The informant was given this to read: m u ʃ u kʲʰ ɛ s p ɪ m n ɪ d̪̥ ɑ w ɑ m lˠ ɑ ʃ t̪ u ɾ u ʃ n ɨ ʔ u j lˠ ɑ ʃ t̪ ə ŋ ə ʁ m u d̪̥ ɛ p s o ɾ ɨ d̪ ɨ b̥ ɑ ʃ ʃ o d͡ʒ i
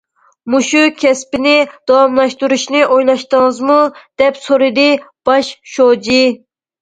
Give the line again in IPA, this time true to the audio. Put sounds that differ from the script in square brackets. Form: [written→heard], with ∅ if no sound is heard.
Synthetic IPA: m u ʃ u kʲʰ ɛ s p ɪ [m→∅] n ɪ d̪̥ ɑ w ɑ m lˠ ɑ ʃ t̪ u ɾ u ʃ n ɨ ʔ [u→o] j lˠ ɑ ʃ t̪ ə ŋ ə [ʁ→z] m u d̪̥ ɛ p s o ɾ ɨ d̪ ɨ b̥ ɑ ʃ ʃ o d͡ʒ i

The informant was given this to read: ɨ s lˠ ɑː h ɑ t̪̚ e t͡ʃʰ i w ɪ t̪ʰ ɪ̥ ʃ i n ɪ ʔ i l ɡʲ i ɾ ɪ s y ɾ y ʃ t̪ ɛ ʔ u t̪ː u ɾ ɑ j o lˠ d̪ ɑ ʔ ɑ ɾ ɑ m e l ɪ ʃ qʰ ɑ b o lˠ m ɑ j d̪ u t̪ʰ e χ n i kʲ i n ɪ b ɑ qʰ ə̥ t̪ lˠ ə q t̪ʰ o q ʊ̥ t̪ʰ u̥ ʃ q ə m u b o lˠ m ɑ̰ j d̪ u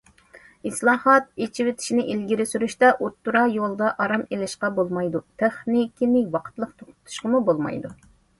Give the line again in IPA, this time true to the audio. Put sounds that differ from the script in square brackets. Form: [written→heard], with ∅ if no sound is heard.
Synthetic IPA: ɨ s lˠ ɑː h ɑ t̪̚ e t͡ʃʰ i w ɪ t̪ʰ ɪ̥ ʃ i n ɪ ʔ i l ɡʲ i ɾ ɪ s y ɾ y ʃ t̪ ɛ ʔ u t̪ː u ɾ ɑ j o lˠ d̪ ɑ ʔ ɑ ɾ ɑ m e l ɪ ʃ [qʰ→q] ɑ b o lˠ m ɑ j d̪ u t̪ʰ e χ n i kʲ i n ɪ [b→w] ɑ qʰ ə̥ t̪ lˠ ə q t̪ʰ o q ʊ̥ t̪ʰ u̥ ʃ q ə m u b o lˠ m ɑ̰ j d̪ u

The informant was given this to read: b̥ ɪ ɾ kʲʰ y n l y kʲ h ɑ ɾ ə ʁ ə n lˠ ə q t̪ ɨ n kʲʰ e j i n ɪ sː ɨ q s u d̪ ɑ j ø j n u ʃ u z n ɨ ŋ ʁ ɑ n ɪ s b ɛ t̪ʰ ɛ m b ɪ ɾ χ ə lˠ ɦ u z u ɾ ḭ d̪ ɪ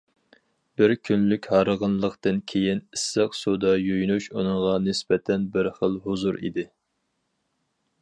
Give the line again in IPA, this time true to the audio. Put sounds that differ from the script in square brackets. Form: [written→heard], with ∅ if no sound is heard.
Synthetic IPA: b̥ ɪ ɾ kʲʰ y n l y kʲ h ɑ ɾ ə ʁ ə n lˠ ə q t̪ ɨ n kʲʰ e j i n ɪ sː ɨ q s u d̪ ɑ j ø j n u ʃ u [z→∅] n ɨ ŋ ʁ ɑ n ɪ s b ɛ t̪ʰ ɛ [m→n] b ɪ ɾ χ ə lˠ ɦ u z u ɾ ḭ d̪ ɪ

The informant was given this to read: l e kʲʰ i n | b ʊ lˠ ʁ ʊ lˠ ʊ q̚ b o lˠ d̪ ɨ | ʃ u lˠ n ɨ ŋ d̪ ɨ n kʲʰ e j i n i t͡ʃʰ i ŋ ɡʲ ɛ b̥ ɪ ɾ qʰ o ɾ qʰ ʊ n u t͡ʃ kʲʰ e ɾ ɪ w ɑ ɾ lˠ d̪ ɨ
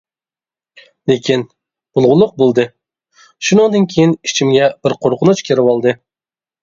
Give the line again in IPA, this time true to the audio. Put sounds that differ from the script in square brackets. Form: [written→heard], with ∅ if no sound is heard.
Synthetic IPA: l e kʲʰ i n | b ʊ lˠ ʁ ʊ lˠ ʊ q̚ b o lˠ d̪ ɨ | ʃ u [lˠ→∅] n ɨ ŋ d̪ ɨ n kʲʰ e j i n i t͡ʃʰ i [ŋ→m] ɡʲ ɛ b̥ ɪ ɾ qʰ o ɾ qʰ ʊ n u t͡ʃ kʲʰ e ɾ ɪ w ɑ [ɾ→∅] lˠ d̪ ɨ

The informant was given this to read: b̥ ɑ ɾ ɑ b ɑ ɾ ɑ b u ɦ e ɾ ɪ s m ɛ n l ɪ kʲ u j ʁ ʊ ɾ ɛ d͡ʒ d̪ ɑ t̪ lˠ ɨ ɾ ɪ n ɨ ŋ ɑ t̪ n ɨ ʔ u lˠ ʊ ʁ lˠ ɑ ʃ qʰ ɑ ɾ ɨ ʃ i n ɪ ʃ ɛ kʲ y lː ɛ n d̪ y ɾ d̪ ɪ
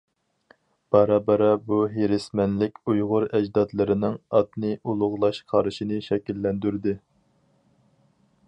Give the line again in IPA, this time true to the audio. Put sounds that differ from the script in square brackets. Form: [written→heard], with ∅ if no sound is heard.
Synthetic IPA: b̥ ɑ ɾ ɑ b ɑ ɾ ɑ b u ɦ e ɾ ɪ s m ɛ n l ɪ kʲ u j ʁ ʊ ɾ ɛ d͡ʒ d̪ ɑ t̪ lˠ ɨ ɾ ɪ n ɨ ŋ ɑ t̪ n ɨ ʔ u lˠ ʊ ʁ lˠ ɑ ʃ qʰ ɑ ɾ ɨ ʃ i n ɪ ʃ ɛ kʲ [y→i] lː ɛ n d̪ y ɾ d̪ ɪ

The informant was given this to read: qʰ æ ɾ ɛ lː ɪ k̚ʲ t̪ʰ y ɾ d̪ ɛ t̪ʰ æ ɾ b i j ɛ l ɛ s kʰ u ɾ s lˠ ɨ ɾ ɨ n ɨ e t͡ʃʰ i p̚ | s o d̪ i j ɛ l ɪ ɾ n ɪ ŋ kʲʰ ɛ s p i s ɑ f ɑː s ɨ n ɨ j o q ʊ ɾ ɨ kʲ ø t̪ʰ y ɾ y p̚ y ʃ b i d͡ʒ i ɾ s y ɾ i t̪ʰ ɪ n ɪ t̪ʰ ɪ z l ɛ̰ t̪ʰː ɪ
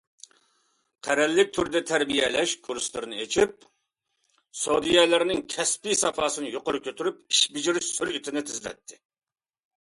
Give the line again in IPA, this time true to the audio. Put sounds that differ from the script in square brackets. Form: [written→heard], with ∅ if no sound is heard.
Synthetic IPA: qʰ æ ɾ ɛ lː ɪ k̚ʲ t̪ʰ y ɾ d̪ ɛ t̪ʰ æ ɾ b i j ɛ l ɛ [s→ʃ] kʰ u ɾ s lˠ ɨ ɾ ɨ n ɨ e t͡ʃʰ i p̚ | s o d̪ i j ɛ l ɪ ɾ n ɪ ŋ kʲʰ ɛ s p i s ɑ f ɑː s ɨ n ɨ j o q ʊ ɾ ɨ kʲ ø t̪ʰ y ɾ y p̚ [y→i] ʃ b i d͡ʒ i ɾ s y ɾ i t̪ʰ ɪ n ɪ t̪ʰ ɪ z l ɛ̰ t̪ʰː ɪ

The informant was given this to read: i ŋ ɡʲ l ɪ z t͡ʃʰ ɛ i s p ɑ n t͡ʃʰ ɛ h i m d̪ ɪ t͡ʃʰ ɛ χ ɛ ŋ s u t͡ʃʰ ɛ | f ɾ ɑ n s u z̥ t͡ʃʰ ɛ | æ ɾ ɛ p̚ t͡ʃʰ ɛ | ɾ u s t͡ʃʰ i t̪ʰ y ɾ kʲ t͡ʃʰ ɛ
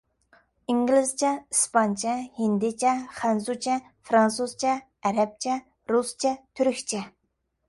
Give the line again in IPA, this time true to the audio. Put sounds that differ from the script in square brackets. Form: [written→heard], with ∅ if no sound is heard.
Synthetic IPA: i ŋ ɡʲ l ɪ z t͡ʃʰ ɛ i s p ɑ n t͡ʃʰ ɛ h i [m→n] d̪ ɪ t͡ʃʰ ɛ χ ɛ [ŋ→n] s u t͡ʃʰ ɛ | f ɾ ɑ n s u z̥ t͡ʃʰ ɛ | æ ɾ ɛ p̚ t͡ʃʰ ɛ | ɾ u s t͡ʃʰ [i→ɛ] t̪ʰ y ɾ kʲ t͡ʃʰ ɛ

